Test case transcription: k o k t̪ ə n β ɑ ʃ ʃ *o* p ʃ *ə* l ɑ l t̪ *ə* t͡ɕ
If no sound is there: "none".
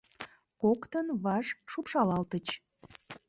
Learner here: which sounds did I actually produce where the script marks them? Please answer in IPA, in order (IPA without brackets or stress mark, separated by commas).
u, ɑ, ə